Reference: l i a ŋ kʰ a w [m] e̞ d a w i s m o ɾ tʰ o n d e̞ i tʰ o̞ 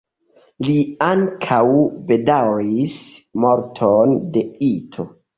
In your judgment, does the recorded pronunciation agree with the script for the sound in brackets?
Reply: no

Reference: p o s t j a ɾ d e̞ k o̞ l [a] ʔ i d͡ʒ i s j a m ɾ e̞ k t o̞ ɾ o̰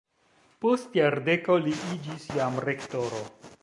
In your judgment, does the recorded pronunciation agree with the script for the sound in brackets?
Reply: no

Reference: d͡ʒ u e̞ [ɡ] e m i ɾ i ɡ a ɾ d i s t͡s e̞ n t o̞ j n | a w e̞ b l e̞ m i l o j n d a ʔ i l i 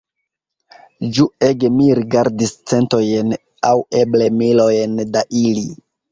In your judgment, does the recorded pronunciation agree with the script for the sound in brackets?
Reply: yes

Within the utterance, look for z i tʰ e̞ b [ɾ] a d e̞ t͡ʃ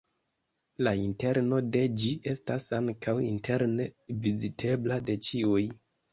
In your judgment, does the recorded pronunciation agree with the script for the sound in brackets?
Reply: no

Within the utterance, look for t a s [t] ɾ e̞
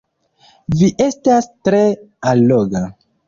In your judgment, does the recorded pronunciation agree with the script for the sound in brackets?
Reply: yes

